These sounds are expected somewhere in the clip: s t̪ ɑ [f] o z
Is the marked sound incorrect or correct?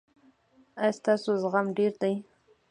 incorrect: s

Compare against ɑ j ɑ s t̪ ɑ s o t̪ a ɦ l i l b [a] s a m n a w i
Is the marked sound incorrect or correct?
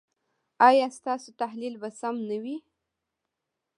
correct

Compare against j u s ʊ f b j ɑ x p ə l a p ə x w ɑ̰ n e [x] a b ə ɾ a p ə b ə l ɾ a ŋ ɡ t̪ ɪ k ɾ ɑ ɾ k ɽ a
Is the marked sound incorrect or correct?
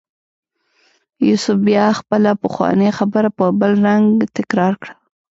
correct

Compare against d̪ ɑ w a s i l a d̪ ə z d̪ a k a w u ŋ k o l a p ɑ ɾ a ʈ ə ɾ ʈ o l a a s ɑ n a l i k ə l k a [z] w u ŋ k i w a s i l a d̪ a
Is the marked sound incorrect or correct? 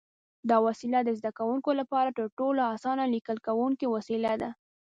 incorrect: none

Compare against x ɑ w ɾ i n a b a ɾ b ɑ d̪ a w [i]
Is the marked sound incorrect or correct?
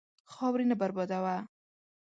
incorrect: a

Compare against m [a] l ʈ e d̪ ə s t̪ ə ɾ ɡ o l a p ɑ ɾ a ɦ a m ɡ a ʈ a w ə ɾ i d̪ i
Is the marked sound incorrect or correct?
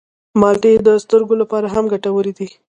incorrect: ɑ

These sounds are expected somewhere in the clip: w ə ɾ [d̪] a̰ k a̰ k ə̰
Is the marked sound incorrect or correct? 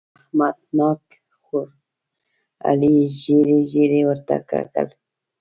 incorrect: t̪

